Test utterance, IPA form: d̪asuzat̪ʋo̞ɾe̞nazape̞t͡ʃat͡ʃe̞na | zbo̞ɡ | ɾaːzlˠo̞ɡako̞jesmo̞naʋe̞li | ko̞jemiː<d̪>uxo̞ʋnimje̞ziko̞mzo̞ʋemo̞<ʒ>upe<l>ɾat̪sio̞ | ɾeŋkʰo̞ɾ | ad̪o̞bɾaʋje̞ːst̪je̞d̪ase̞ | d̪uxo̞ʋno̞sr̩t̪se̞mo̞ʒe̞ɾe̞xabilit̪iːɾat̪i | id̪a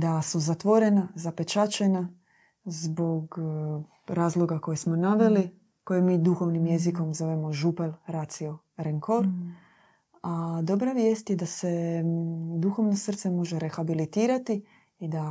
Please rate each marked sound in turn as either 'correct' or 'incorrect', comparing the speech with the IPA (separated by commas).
correct, correct, correct